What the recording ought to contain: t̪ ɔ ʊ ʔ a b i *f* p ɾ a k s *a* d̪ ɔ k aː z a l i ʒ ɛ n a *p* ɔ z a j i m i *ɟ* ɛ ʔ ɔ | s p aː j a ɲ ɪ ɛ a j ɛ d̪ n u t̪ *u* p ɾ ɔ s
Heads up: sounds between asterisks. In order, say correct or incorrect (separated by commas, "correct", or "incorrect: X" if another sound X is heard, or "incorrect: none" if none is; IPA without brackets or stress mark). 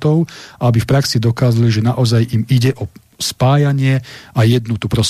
correct, incorrect: i, incorrect: ʔ, correct, correct